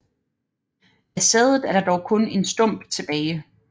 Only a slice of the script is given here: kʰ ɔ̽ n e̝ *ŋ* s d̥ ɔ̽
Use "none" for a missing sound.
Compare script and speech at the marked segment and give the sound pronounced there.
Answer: n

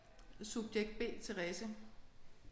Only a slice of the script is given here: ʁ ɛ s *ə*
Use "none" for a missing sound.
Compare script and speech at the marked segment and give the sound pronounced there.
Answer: ə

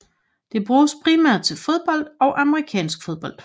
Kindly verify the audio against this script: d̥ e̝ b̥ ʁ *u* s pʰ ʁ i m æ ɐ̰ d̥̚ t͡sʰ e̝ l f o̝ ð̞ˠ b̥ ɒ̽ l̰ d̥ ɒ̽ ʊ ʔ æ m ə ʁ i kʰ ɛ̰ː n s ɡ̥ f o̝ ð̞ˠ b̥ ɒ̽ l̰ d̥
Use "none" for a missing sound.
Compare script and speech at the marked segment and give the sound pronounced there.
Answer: uː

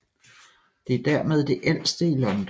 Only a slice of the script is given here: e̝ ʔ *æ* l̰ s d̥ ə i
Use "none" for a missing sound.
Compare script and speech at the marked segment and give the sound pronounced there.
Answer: e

